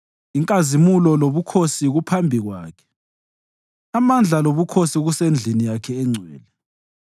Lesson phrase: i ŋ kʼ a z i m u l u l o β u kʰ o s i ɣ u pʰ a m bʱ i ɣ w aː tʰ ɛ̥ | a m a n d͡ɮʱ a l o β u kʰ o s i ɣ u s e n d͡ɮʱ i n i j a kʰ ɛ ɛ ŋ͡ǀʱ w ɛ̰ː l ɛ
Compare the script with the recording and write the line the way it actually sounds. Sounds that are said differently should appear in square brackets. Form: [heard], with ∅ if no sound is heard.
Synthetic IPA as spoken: i ŋ kʼ a z i m u l [ɔ] l o β u kʰ o s i ɣ u pʰ a m bʱ i ɣ w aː [kʰ] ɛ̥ | a m a n d͡ɮʱ a l o β u kʰ o s i ɣ u s e n d͡ɮʱ i n i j a kʰ ɛ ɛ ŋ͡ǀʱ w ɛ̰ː l ɛ